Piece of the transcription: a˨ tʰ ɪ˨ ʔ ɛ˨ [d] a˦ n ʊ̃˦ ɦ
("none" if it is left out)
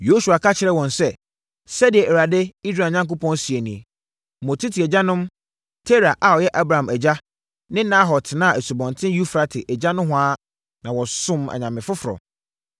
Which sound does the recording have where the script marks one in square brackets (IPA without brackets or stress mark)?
d͡ʑ